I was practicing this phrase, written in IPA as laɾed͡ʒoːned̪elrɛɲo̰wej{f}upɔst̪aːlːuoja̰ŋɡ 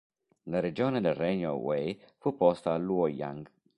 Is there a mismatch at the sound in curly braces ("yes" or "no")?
no